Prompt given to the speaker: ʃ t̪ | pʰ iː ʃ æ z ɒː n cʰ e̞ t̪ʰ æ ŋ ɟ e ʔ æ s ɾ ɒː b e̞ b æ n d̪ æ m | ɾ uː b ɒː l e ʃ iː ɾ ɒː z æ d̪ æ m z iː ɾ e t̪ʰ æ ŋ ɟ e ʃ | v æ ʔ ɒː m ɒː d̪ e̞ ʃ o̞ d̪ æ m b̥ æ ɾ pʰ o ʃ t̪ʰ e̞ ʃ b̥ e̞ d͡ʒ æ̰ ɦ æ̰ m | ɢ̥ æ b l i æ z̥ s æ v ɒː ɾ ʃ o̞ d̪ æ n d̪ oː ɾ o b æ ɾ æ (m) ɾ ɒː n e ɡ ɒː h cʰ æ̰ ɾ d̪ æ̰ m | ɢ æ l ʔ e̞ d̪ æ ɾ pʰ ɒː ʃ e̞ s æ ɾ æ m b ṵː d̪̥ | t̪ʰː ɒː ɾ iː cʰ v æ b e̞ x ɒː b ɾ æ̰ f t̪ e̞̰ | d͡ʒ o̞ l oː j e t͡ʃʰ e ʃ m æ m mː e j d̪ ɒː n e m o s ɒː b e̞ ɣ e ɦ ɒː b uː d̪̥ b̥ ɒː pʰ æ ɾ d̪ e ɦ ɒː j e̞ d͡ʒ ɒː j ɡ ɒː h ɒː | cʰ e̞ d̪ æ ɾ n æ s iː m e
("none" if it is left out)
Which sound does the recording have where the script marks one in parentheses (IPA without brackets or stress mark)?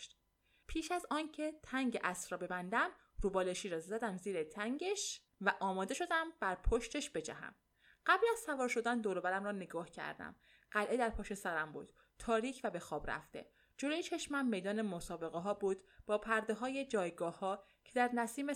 m